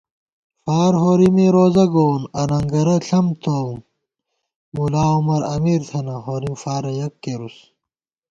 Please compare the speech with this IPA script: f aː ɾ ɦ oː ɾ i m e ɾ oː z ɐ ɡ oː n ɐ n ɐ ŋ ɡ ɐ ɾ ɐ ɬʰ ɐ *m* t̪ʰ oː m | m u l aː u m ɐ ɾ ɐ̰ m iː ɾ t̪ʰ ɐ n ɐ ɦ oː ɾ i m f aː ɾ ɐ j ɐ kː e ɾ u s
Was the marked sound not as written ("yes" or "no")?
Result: no